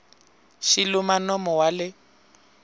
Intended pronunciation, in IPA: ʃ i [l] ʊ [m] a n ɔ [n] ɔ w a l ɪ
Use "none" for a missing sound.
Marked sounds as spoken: l, m, m

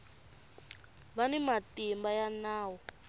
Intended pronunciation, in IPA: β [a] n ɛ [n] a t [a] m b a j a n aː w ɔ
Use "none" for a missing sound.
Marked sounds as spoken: a, m, i

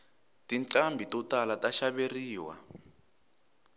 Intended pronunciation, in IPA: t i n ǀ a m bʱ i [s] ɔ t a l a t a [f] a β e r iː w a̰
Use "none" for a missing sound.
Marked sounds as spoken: t, ʃ

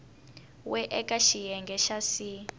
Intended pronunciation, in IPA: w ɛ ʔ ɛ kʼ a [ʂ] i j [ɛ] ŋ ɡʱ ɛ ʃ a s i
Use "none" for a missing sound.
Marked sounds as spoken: ʃ, ɛ

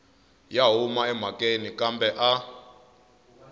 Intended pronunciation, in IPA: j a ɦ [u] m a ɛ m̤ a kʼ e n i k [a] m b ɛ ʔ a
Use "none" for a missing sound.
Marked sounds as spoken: u, a

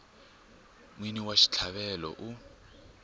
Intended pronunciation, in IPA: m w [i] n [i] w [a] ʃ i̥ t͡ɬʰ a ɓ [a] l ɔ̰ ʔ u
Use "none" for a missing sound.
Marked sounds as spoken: i, i, a, ɛ

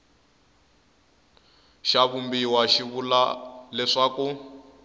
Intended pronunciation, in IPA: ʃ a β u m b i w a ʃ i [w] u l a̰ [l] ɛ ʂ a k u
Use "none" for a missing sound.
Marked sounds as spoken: β, l

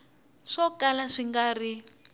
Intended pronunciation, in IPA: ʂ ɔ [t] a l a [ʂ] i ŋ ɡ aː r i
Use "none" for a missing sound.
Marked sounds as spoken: k, ʂ

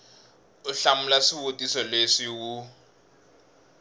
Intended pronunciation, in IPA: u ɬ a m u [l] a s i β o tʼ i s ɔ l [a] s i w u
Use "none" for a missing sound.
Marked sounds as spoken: l, e

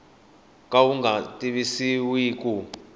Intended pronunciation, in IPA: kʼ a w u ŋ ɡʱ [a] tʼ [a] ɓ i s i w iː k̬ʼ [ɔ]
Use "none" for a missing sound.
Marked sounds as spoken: a, i, u

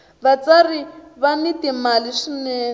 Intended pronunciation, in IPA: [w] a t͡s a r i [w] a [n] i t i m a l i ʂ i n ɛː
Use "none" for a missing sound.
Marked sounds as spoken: β, β, n

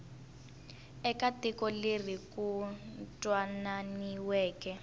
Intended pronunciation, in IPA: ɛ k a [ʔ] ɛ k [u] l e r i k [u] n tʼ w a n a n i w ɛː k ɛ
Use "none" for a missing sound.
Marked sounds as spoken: t, ɔ, u

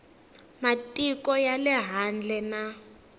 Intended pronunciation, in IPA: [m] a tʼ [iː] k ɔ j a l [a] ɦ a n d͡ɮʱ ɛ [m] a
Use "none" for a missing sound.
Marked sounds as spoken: m, i, ɛ, n

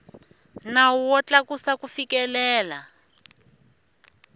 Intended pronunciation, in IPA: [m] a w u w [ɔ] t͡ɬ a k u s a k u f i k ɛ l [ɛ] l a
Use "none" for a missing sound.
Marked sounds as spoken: n, ɔ, ɛː

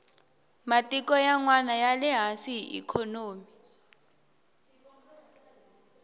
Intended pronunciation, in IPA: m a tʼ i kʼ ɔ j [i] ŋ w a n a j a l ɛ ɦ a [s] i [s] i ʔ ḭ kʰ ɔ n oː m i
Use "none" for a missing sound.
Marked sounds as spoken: a, s, none

